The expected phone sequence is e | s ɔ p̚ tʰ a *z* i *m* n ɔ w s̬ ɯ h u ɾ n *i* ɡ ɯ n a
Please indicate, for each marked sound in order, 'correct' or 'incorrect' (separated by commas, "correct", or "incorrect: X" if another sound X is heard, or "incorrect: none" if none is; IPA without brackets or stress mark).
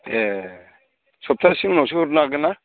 incorrect: s, incorrect: ŋ, incorrect: a